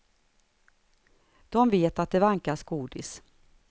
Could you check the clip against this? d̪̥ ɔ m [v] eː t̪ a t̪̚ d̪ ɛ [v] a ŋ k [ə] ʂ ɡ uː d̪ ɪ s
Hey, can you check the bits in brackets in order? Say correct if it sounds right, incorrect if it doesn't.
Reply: correct, correct, incorrect: a

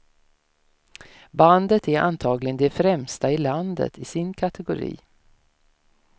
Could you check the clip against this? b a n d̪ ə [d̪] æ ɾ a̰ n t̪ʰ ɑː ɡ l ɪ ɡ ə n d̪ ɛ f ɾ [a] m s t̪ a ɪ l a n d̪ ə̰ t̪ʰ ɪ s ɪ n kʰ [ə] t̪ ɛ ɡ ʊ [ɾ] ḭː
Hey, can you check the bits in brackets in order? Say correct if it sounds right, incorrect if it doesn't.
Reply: incorrect: t̪, incorrect: ɛ, incorrect: a, correct

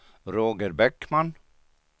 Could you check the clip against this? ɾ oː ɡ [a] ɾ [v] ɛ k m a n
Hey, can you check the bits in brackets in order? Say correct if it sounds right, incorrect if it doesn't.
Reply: incorrect: ə, incorrect: b

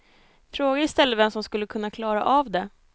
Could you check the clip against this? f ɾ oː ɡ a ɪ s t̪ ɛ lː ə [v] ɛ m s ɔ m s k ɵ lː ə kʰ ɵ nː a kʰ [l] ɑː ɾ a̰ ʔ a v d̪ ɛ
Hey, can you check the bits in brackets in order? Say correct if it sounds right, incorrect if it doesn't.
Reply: correct, correct

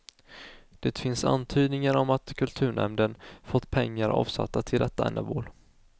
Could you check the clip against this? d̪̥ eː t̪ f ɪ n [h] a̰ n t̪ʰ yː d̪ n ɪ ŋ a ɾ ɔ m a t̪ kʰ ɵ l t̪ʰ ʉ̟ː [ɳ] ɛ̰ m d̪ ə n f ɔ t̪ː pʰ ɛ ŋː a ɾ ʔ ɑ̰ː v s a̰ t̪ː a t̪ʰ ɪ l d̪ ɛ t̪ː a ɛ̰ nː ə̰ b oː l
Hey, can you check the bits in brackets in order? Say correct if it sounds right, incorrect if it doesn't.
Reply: incorrect: s, correct

